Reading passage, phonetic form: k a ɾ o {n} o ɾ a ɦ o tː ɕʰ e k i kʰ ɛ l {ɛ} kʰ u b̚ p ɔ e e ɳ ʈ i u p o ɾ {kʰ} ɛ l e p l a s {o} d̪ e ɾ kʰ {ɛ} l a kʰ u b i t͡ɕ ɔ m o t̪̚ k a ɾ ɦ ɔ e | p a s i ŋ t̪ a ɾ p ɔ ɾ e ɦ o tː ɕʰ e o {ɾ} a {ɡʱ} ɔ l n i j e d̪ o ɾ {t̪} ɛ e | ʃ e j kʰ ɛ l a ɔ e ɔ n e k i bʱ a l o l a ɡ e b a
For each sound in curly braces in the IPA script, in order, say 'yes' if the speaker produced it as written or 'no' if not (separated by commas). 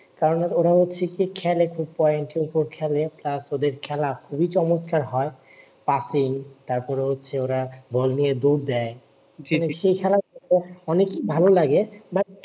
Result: yes, no, yes, yes, yes, yes, no, no